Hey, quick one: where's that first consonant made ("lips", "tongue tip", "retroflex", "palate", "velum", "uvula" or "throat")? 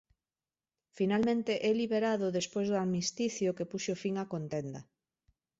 lips